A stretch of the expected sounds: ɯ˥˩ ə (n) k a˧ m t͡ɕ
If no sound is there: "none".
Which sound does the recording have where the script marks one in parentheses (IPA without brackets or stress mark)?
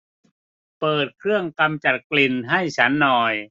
ŋ